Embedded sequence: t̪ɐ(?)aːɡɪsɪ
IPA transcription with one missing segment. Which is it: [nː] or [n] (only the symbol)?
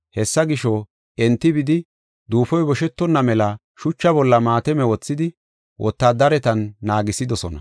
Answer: nː